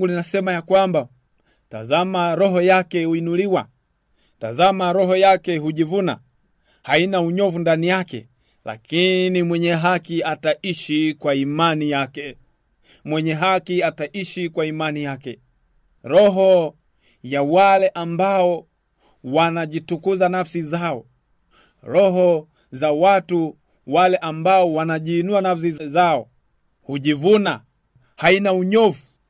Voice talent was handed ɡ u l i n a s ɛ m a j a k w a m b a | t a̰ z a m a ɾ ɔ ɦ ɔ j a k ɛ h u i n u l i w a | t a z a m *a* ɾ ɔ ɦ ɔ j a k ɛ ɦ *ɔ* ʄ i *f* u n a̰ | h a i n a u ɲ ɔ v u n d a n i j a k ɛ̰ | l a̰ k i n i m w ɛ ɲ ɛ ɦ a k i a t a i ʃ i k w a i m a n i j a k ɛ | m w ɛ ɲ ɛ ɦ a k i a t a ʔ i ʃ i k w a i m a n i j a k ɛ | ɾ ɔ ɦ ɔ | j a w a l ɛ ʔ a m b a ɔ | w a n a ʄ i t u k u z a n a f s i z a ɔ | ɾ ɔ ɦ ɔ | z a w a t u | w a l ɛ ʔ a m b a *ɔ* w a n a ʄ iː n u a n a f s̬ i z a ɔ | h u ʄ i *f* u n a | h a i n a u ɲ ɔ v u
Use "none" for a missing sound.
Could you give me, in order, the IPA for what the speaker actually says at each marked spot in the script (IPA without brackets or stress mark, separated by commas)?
a, u, v, ɔ, v